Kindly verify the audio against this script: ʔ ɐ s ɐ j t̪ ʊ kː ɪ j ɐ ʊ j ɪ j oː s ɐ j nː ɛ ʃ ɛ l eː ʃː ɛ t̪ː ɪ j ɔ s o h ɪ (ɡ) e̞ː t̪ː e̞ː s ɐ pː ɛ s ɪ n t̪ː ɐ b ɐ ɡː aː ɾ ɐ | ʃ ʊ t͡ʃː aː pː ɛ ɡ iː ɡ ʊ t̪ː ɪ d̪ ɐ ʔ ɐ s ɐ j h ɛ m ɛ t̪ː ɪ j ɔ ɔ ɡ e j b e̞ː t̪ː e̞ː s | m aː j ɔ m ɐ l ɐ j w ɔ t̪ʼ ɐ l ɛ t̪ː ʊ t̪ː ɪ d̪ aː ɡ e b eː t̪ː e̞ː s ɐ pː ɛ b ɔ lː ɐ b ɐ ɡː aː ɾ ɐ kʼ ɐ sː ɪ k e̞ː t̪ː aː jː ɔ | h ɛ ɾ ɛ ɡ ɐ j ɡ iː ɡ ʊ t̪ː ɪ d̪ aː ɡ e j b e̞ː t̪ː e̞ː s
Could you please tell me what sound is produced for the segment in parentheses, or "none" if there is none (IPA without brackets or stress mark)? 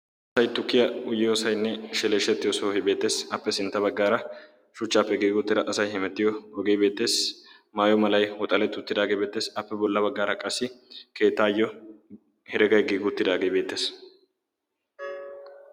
b